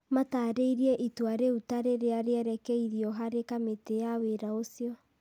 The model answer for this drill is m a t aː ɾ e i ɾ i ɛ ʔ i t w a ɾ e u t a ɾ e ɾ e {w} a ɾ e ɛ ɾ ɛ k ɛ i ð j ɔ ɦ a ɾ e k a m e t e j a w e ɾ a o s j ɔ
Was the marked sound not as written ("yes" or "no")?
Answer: yes